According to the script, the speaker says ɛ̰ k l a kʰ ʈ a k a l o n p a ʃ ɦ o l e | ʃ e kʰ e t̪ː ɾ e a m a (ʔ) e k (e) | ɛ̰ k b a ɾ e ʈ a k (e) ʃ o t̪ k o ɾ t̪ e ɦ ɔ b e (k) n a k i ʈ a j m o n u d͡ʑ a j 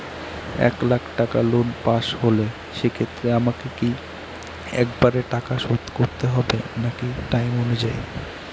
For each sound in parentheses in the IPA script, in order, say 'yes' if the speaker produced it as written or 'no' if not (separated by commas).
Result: no, no, no, no